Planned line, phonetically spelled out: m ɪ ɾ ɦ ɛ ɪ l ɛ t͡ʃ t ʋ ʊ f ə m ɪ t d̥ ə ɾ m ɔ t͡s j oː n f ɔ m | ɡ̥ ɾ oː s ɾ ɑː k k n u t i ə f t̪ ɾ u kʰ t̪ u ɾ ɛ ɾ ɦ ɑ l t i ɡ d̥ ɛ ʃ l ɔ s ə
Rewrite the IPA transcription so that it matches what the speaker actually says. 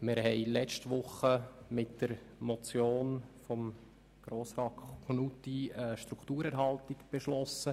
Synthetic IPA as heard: m ɪ ɾ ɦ ɛ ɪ l ɛ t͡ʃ t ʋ ʊ χ ə m ɪ t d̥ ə ɾ m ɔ t͡s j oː n f ɔ m | ɡ̥ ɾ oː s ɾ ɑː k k n u t i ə ʃ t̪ ɾ u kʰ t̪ uː ɾ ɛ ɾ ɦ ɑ l t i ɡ b̥ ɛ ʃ l ɔ s ə